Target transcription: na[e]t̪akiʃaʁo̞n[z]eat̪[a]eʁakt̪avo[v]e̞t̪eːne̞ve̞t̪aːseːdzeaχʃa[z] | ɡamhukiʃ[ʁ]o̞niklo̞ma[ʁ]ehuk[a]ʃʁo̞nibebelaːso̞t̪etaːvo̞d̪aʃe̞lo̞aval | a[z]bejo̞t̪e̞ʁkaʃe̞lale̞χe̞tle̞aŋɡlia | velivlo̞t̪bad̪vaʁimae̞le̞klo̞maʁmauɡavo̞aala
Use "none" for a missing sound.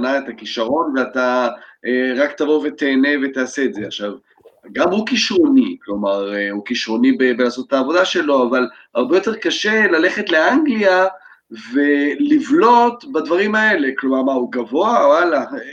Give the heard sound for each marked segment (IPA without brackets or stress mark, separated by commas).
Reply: e, v, a, v, v, ʁ, ʁ, i, ʁ